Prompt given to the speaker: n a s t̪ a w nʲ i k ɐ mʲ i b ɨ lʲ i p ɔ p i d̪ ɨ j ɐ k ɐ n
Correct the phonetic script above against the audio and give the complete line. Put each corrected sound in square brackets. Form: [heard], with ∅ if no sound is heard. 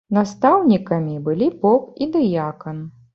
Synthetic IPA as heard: n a s t̪ a w nʲ i k ɐ mʲ i b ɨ lʲ i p ɔ p i d̪ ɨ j [a] k ɐ n